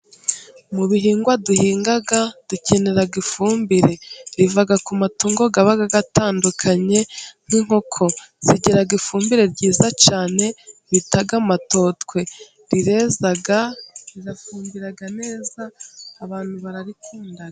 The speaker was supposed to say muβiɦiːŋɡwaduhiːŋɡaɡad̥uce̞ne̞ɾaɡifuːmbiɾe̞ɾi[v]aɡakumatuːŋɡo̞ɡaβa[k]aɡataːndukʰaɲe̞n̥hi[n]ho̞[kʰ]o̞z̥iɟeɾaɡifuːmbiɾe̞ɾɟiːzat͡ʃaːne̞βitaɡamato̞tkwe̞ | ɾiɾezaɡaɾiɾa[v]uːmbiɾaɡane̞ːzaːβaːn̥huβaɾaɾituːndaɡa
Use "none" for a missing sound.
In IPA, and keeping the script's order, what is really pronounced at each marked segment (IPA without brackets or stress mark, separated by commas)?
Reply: v, ɡ, ŋ, kʰ, f